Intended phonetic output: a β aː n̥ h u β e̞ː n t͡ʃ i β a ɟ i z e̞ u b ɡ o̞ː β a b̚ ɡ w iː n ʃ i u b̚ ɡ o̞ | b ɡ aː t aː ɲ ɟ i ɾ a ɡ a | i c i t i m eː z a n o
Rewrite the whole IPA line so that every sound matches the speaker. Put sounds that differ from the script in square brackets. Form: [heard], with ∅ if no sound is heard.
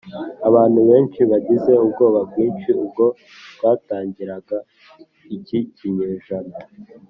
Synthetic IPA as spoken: a β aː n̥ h u β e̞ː n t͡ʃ i β a ɟ i z e̞ u b ɡ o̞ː β a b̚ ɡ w iː n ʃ i u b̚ ɡ o̞ | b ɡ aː t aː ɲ ɟ i ɾ a ɡ a | i c i [c] i [ɲ] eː [ʒ] a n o

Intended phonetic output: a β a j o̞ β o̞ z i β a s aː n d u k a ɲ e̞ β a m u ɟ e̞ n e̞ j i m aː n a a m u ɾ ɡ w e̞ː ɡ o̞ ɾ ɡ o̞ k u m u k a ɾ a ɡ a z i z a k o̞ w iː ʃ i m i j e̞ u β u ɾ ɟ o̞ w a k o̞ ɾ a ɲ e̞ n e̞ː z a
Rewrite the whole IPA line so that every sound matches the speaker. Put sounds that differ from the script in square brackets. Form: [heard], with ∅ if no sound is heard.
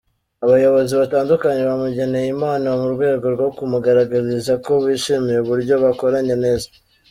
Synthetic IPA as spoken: a β a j o̞ β o̞ z i β a [t] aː n d u k a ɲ e̞ β a m u ɟ e̞ n e̞ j i m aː n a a m u ɾ ɡ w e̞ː ɡ o̞ ɾ ɡ o̞ k u m u [ɡ] a ɾ a ɡ a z i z a k o̞ [β] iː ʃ i m i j e̞ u β u ɾ ɟ o̞ [β] a k o̞ ɾ a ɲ e̞ n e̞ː z a

